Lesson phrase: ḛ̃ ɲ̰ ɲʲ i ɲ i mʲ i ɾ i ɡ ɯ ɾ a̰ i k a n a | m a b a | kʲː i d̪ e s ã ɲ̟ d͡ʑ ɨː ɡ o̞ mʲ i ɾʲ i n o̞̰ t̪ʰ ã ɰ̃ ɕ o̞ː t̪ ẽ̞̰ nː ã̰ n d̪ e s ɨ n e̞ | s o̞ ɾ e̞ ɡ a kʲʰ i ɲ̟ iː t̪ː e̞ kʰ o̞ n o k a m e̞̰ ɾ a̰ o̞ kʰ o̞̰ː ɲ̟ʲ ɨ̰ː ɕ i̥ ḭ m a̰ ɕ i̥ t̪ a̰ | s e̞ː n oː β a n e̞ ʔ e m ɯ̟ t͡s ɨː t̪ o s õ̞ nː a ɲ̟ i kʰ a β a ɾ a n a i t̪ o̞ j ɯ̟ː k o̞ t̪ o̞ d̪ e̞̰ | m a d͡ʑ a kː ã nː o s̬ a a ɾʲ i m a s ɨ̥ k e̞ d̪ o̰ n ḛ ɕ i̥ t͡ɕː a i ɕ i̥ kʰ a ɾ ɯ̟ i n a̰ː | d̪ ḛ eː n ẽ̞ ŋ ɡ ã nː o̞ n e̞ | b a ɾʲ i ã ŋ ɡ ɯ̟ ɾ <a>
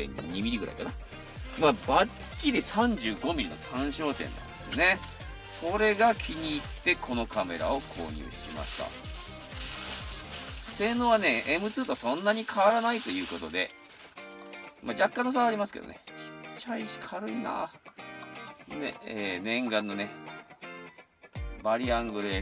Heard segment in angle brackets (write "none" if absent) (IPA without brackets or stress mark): e